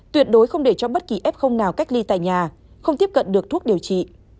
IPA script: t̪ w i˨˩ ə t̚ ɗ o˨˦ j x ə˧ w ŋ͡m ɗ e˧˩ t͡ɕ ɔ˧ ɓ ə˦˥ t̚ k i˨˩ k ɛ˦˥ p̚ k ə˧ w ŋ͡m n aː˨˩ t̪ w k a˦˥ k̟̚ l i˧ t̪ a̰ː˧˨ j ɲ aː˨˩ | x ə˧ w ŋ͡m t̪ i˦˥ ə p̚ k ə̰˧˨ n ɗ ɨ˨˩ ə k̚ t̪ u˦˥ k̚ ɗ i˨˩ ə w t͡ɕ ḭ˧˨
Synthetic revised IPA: t̪ w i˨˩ ə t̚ ɗ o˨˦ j x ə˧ w ŋ͡m ɗ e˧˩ t͡ɕ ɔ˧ ɓ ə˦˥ t̚ k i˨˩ ʔ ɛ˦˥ p̚ x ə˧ w ŋ͡m n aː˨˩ w k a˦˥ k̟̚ l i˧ t̪ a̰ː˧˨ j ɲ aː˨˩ | x ə˧ w ŋ͡m t̪ i˦˥ ə p̚ k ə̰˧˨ n ɗ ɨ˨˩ ə k̚ t̪ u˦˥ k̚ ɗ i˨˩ ə w t͡ɕ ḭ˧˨